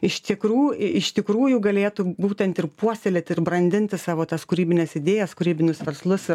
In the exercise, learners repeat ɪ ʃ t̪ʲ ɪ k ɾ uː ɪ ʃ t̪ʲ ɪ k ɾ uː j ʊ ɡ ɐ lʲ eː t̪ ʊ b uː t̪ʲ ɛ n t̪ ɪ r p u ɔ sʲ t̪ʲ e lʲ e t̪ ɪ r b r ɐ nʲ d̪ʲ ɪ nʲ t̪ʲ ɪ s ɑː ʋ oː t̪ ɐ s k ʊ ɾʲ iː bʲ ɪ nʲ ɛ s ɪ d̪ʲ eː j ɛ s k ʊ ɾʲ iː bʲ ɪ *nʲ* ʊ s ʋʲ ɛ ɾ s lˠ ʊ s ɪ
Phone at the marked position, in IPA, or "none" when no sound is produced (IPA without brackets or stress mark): nʲ